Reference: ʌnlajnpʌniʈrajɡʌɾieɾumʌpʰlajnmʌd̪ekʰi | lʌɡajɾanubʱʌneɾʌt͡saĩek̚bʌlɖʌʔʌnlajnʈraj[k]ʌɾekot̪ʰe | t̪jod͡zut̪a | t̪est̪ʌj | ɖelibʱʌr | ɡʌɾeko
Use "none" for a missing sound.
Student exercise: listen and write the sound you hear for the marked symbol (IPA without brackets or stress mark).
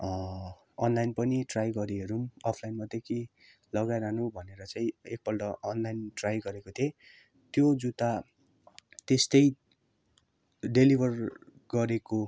ɡ